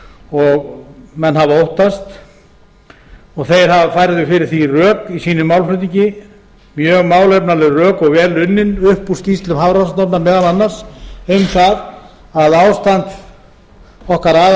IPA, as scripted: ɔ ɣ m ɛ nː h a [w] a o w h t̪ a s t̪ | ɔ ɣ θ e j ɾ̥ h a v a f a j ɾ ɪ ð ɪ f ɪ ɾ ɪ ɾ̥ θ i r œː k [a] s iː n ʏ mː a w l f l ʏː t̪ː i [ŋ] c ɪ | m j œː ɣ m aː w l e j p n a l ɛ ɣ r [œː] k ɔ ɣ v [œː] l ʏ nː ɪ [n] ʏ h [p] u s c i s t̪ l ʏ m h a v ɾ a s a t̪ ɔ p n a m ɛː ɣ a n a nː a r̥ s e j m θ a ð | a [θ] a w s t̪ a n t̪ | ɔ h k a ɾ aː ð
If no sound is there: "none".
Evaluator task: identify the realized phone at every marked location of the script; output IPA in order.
v, i, ɲ, œː, ɛː, n, p, ð

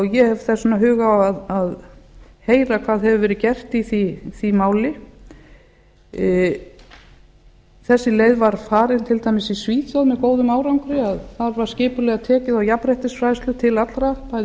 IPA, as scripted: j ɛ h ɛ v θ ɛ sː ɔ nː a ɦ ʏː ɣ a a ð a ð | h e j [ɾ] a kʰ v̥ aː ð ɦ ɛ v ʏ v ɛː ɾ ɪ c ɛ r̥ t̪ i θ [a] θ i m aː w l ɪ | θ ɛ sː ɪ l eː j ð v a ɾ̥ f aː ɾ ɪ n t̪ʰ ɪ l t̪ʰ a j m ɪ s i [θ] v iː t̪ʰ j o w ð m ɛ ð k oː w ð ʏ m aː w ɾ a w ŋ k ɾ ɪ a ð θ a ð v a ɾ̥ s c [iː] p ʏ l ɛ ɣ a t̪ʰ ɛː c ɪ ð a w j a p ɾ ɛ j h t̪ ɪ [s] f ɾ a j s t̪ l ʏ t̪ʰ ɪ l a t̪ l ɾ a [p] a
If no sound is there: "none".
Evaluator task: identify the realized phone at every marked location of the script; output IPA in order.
ɾ, i, s, ɪː, s, p

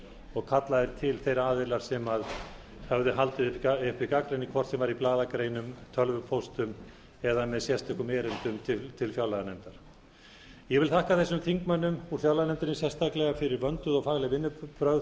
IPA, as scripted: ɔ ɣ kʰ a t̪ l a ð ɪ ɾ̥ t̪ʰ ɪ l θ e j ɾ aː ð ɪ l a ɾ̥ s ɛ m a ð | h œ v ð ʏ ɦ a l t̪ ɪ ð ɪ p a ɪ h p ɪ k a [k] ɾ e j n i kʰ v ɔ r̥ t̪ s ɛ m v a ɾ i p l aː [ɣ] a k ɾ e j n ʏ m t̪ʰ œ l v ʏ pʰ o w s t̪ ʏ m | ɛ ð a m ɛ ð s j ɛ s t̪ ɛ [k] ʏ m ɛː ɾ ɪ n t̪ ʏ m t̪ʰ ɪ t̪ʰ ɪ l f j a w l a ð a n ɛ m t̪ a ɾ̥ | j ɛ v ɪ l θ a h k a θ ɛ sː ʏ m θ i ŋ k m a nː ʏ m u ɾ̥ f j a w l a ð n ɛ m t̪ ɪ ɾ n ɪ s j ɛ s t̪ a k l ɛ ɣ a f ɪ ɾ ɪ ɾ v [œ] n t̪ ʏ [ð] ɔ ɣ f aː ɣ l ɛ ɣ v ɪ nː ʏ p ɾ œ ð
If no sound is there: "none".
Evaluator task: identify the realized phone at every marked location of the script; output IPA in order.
k, ð, k, œ, ð

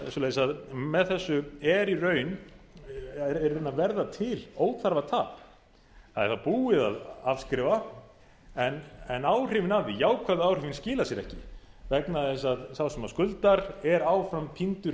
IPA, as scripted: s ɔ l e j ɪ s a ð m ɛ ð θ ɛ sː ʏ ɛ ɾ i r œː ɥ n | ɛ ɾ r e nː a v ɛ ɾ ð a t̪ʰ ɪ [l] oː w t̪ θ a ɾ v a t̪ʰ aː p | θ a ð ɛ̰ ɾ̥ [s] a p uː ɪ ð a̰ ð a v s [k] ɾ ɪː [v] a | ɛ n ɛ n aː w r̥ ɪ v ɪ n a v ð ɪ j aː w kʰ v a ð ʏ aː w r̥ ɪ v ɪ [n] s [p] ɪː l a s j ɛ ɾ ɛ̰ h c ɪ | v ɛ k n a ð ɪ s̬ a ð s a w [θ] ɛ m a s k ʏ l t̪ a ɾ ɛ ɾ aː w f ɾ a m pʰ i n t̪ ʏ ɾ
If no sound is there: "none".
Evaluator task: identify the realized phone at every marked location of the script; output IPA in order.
l, θ, k, v, n, c, s

